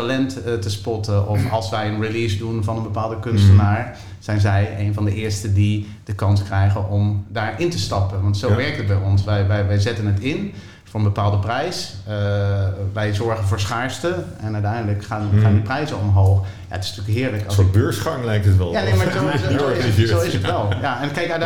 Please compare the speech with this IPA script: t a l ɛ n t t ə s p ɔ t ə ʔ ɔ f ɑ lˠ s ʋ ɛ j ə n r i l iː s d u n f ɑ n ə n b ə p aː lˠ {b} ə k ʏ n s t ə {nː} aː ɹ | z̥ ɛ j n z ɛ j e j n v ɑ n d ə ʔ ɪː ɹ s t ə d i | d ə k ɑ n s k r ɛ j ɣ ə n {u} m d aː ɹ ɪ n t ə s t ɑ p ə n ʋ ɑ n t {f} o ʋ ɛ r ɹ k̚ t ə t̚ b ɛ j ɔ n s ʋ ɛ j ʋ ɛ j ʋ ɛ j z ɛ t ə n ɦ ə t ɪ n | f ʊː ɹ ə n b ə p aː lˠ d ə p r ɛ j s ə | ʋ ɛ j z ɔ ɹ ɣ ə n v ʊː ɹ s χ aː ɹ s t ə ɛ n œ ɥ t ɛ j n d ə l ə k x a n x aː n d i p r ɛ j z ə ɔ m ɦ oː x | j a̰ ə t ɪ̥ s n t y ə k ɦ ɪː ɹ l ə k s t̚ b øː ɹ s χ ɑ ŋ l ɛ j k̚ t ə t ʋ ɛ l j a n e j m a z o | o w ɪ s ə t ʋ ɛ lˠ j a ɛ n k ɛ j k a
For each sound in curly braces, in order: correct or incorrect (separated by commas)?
incorrect, incorrect, incorrect, incorrect